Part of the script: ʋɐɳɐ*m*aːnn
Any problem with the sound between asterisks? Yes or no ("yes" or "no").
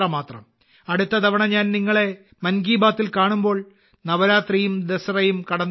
yes